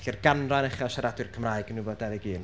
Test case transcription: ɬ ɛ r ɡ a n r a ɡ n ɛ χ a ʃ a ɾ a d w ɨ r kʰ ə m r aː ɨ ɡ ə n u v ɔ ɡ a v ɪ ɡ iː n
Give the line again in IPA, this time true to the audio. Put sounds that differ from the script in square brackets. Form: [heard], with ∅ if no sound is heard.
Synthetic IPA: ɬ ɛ r ɡ a n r a [∅] n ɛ χ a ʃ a ɾ a d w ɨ r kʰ ə m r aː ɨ ɡ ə n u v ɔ [d] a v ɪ ɡ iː n